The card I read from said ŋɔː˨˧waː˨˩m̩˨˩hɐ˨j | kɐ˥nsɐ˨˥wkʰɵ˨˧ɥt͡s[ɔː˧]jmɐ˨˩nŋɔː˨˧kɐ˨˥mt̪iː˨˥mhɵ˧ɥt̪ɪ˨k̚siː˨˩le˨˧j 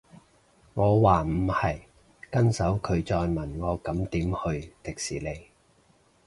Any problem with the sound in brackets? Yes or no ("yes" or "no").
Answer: no